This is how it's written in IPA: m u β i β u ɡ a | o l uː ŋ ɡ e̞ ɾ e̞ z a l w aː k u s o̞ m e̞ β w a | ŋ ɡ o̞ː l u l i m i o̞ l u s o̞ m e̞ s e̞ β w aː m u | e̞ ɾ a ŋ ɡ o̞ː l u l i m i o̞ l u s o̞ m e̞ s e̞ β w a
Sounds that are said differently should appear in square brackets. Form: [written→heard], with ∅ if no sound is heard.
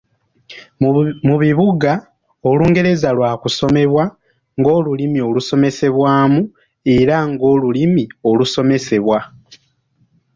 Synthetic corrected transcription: m u β i β u ɡ a | o l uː ŋ ɡ e̞ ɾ e̞ z a l w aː k u s o̞ m e̞ β w a | ŋ ɡ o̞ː l u l i m i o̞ l u s o̞ m e̞ s e̞ β w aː m u | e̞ ɾ a ŋ ɡ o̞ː l u l i m i o̞ l u s o̞ m e̞ s e̞ β w a